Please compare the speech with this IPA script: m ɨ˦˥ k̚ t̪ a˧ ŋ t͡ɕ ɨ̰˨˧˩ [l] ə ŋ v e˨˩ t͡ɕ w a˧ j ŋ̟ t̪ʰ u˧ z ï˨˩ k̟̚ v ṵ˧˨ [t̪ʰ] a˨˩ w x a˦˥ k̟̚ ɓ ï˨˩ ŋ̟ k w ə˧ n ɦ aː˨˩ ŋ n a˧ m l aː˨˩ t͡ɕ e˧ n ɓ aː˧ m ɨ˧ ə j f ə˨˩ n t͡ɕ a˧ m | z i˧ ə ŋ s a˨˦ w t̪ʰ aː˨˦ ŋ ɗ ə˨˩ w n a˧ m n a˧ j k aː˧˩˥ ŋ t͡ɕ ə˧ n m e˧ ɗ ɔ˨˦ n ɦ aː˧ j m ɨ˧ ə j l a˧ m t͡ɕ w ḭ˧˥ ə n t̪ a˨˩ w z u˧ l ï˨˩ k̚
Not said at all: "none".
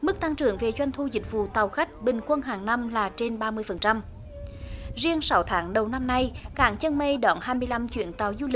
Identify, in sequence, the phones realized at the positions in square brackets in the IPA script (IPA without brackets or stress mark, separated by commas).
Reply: none, t̪